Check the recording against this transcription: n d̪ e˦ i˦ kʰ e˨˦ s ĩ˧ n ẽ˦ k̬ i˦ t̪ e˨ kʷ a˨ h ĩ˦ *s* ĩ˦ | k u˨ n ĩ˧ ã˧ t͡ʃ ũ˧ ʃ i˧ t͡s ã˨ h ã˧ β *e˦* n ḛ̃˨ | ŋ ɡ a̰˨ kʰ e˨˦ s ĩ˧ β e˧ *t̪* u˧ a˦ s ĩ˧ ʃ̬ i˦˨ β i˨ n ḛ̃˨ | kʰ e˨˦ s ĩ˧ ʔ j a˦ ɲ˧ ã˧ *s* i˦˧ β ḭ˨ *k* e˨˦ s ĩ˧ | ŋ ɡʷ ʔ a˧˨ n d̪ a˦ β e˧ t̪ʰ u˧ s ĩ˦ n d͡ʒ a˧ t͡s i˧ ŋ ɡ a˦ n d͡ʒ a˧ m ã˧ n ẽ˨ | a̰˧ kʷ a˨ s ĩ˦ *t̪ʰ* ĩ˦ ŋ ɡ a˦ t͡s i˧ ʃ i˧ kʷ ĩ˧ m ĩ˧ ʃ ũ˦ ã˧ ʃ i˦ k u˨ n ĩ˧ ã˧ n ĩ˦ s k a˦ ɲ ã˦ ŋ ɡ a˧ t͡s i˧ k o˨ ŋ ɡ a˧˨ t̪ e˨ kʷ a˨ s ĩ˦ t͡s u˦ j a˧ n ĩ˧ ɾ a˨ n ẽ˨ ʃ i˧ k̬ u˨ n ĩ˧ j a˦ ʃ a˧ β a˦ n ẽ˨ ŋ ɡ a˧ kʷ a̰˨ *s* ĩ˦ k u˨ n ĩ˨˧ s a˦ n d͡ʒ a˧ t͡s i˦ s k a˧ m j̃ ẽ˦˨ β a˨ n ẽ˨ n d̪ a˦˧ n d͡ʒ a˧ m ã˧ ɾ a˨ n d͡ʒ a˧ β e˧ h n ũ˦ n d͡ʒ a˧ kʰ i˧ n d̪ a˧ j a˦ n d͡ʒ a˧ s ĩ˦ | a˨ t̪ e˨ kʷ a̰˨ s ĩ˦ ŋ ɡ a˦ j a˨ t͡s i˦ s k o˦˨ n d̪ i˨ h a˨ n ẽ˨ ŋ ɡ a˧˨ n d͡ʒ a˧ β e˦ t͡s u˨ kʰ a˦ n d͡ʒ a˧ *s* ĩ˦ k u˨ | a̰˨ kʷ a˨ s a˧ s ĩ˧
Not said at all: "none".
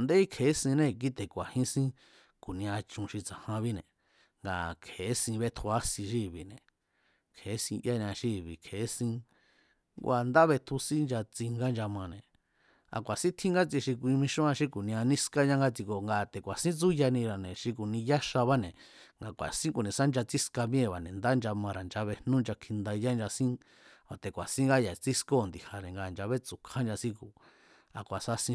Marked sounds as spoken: s, i˦, t̪ʰ, ʃ, kʰ, t̪ʰ, s, s

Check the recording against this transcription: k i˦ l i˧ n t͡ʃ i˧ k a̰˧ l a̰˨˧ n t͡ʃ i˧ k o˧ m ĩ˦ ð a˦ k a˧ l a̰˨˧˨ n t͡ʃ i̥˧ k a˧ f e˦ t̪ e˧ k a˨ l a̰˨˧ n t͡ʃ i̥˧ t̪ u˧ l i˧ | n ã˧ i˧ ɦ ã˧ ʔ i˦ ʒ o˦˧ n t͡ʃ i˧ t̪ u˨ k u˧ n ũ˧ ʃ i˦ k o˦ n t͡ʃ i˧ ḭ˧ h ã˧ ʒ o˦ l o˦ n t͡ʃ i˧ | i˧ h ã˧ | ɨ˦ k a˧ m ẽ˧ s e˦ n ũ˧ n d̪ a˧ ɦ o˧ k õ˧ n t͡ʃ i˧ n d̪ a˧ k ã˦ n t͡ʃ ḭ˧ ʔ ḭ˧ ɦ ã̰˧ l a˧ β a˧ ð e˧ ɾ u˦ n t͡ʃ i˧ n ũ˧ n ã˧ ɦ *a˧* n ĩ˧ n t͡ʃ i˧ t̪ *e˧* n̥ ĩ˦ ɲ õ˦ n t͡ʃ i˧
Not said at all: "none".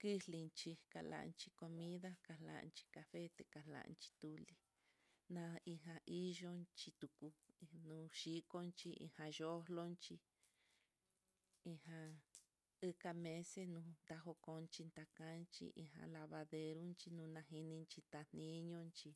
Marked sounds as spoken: i˧, a˧

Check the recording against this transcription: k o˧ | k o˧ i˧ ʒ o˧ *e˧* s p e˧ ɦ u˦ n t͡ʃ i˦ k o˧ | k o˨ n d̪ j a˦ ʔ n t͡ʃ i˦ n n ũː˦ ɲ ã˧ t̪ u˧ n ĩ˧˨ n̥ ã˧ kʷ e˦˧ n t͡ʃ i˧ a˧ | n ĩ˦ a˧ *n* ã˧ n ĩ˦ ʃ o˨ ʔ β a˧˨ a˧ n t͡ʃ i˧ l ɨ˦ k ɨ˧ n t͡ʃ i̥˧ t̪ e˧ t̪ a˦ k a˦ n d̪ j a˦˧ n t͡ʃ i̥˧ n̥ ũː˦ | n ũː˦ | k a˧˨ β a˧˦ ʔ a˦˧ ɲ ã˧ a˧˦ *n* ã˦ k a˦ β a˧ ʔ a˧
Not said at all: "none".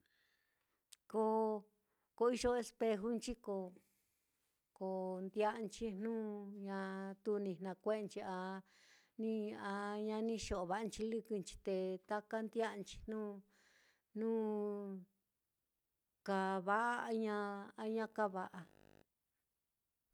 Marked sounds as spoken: e˧, ɲ, ɲ

